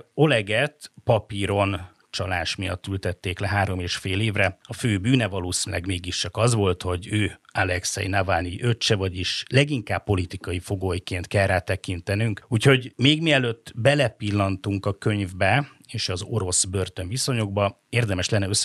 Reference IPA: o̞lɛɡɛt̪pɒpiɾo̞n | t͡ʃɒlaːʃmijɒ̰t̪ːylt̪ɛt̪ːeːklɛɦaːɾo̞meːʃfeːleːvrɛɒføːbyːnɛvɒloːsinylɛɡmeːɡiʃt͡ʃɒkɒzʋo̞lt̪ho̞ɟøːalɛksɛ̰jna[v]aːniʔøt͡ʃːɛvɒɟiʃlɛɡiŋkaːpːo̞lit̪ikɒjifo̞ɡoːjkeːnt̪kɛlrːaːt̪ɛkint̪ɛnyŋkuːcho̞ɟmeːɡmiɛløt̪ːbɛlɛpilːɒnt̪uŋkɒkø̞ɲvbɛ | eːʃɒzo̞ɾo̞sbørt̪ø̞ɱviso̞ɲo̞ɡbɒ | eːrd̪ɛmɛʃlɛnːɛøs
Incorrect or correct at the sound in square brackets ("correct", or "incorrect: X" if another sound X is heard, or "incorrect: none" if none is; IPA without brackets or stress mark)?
correct